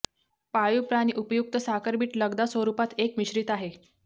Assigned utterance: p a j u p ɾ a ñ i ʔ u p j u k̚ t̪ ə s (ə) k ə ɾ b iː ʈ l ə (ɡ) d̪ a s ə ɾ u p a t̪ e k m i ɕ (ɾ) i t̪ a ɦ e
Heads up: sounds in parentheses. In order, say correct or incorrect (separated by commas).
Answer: incorrect, correct, correct